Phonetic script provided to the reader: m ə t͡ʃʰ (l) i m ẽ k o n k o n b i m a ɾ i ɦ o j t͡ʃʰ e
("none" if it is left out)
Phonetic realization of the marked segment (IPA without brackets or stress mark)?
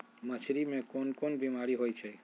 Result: ɾ